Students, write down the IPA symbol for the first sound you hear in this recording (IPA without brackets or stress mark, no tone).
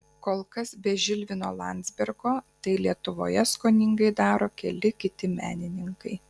k